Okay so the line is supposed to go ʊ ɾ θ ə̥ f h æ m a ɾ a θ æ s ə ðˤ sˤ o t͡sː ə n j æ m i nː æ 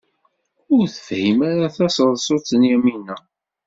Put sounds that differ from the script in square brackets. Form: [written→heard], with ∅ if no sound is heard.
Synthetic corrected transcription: ʊ ɾ θ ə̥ f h [æ→i] m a ɾ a θ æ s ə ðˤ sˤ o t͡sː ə n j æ m i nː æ